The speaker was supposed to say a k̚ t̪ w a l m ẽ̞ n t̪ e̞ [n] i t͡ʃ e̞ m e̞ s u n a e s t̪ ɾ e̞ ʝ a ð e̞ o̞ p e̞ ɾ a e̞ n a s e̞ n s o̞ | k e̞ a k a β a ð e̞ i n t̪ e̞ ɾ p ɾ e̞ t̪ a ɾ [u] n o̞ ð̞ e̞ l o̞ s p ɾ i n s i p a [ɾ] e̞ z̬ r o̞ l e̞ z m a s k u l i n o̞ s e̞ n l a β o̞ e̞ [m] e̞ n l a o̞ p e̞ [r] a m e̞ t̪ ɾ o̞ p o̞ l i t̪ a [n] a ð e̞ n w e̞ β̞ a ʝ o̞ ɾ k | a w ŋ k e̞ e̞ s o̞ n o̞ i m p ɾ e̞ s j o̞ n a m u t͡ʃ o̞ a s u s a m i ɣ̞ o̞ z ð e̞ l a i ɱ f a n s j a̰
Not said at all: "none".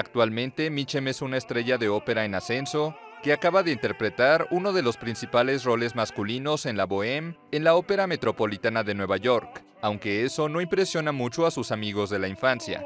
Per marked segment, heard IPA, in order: m, u, l, m, ɾ, n

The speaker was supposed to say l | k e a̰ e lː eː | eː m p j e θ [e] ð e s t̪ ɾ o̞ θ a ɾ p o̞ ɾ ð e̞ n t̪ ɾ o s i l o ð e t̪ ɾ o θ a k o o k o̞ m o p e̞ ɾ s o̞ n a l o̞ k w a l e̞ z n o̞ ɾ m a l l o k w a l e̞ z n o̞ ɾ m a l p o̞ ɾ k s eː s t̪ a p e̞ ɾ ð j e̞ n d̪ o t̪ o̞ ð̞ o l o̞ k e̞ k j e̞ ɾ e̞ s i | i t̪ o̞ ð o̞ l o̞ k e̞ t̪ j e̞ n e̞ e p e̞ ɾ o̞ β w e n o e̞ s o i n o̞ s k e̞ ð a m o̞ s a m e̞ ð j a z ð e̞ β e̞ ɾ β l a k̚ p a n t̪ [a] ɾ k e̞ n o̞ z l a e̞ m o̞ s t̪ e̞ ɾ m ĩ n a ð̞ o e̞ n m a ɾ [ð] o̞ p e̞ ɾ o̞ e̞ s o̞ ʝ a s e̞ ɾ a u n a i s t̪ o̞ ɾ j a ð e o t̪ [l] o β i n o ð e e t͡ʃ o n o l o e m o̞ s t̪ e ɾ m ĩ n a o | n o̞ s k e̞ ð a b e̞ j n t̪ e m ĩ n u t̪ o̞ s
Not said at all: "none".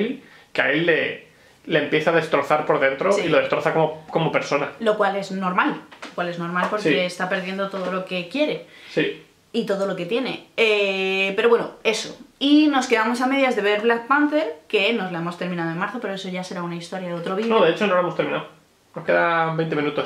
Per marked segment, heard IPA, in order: a, e, θ, ɾ

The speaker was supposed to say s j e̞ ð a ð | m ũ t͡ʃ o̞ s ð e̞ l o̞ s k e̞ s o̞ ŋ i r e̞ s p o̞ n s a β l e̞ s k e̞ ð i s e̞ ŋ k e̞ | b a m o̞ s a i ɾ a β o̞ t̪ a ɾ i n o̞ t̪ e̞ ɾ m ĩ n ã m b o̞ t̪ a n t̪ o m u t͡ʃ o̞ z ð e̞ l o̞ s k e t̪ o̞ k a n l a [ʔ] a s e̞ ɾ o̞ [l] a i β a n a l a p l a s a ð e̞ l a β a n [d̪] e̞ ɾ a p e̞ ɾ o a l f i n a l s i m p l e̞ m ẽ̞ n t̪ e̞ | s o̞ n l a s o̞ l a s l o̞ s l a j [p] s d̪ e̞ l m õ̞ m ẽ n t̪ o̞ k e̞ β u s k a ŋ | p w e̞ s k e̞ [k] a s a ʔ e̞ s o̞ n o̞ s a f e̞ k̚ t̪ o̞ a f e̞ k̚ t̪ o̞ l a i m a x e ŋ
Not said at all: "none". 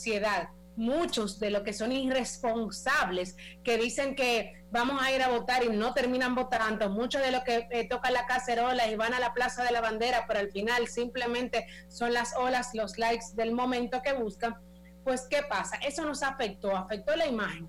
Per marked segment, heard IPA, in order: k, l, d̪, k, p

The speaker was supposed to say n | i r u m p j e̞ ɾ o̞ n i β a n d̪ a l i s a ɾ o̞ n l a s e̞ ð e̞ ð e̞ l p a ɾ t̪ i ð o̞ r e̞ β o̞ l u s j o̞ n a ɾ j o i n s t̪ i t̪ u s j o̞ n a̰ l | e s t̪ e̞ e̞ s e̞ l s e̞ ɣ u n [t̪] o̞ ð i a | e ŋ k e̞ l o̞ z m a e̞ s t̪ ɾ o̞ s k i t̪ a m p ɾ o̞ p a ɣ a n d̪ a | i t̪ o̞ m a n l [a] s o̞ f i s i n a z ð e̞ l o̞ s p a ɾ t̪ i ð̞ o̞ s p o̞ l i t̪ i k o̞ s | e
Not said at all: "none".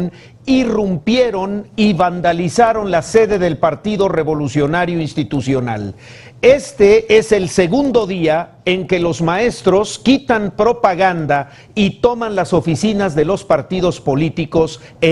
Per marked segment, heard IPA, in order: d̪, a

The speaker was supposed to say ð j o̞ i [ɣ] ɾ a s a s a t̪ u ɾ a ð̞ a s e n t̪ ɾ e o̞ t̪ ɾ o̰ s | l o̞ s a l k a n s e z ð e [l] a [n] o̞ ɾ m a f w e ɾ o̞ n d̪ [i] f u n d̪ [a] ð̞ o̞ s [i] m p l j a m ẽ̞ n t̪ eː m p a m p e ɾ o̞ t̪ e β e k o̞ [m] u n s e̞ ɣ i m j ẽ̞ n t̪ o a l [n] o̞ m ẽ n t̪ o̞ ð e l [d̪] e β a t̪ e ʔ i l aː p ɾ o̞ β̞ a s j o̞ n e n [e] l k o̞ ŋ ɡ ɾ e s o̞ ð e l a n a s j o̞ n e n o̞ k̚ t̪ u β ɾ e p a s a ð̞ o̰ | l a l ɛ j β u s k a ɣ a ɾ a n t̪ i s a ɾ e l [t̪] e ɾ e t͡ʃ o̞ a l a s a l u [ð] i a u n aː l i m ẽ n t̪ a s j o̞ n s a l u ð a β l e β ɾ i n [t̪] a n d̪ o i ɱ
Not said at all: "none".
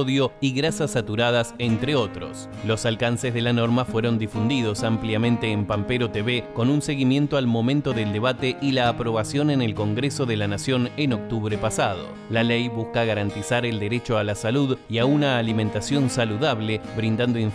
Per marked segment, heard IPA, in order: ɣ, l, n, i, i, a, n, m, d̪, e, d̪, ð, d̪

